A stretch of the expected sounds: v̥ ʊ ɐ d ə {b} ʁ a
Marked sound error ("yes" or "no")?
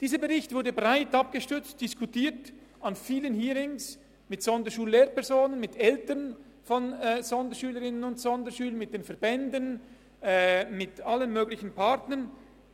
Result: no